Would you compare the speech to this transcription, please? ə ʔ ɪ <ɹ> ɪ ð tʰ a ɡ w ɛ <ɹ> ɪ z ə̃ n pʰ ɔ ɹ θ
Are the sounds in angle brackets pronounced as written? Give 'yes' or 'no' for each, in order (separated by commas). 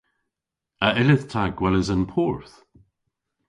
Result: no, no